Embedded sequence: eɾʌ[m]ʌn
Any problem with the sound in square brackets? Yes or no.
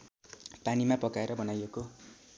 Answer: yes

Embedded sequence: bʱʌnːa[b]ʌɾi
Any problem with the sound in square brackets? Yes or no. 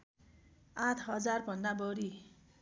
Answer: no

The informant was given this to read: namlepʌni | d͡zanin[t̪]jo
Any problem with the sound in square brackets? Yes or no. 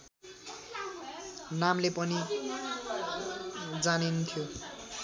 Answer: yes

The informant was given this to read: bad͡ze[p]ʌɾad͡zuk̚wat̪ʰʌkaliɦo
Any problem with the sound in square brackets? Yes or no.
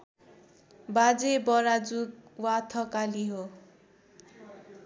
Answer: yes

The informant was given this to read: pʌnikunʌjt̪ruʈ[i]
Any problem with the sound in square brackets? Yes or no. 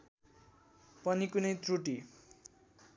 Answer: no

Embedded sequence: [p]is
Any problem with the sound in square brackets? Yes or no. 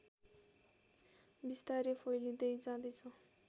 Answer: yes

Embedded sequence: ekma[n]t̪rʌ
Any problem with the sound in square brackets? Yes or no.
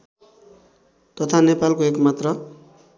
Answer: yes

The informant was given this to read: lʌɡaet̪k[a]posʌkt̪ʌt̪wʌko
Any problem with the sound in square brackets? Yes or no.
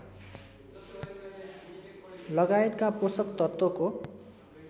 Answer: no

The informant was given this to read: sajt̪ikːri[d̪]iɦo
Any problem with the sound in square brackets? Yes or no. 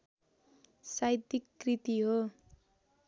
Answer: yes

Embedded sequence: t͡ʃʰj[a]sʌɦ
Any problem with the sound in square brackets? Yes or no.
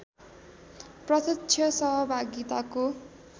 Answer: yes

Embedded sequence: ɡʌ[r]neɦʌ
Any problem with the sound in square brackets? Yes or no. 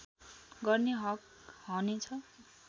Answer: no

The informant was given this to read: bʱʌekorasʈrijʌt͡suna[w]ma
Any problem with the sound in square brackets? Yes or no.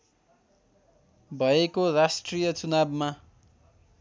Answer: yes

